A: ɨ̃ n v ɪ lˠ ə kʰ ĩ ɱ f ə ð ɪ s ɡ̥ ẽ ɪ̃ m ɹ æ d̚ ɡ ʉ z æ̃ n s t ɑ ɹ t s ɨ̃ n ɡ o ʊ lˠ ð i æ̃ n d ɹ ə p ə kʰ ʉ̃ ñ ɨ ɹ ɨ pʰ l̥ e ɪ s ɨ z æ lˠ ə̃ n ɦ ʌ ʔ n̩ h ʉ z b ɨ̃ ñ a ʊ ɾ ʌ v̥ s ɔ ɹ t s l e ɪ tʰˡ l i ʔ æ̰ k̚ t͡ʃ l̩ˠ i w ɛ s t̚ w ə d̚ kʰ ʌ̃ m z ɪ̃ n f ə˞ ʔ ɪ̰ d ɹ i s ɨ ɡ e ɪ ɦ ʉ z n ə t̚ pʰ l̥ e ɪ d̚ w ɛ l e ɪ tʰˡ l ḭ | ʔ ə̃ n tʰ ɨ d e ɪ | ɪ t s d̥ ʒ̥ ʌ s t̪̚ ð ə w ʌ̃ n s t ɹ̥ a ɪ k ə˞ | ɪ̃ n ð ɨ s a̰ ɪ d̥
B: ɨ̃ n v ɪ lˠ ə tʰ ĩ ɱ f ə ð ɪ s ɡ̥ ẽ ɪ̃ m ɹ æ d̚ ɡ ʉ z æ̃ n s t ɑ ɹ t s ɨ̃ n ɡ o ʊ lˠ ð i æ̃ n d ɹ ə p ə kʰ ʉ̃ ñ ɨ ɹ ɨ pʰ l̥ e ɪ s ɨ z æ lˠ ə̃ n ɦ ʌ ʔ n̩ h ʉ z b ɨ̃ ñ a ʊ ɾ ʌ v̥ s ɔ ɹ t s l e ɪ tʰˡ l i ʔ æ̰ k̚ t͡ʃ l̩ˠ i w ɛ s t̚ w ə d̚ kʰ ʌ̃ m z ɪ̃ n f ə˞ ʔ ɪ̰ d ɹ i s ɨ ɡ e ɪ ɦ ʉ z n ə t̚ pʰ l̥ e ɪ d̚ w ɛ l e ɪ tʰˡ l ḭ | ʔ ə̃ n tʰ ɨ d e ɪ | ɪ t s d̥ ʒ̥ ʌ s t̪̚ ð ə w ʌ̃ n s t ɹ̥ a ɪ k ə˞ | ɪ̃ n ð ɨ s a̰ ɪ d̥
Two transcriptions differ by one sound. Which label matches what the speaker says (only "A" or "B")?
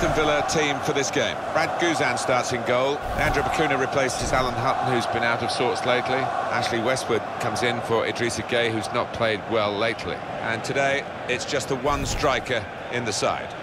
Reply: B